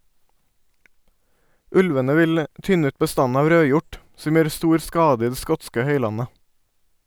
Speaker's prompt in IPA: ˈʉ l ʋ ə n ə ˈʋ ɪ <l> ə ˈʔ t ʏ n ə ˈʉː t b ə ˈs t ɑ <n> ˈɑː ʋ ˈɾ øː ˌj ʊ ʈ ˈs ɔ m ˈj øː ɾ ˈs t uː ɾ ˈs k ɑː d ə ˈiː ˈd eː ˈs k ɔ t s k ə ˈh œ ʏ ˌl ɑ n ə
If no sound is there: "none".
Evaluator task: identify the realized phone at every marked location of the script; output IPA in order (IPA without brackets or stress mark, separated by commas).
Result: l, n